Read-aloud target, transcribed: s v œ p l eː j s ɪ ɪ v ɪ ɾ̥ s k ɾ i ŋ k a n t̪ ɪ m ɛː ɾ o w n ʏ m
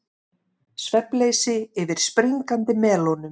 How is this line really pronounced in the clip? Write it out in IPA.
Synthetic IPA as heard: s v ɛ p l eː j s ɪ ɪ v ɪ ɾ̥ s p ɾ i ŋ k a n t̪ ɪ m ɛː l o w n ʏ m